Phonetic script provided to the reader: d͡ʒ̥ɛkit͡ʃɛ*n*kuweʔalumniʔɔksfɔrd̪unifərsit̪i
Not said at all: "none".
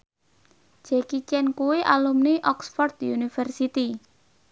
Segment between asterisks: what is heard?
n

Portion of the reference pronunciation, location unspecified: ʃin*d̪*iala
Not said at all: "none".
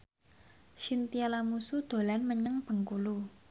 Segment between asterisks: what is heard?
t̪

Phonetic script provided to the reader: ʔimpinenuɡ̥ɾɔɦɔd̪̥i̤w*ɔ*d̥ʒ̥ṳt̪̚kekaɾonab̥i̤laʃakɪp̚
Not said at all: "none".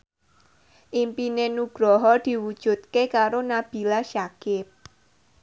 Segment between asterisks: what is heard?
u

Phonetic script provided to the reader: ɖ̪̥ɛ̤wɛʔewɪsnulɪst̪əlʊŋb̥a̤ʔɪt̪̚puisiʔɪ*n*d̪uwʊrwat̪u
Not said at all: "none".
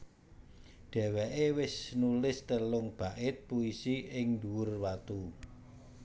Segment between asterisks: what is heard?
ŋ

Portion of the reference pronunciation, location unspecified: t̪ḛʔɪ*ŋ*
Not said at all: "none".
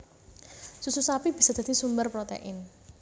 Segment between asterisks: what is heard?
n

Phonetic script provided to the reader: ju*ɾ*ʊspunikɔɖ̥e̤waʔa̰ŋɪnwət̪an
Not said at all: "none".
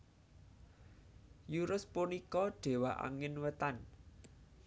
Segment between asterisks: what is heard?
ɾ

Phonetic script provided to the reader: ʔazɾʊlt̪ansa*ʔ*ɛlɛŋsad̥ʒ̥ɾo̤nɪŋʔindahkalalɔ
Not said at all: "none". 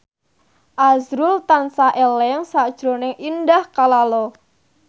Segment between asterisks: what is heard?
ʔ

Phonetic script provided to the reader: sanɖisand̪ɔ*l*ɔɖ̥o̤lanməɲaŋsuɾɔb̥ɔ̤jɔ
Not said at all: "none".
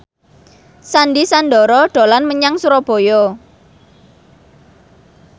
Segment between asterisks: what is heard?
ɾ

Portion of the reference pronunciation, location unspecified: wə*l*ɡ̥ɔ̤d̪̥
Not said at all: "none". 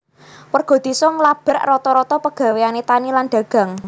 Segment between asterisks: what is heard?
r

